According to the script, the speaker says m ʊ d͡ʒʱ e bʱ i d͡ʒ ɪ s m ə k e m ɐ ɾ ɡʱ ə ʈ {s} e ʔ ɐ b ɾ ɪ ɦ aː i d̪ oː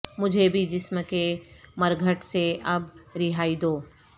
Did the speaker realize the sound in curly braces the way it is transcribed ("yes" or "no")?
yes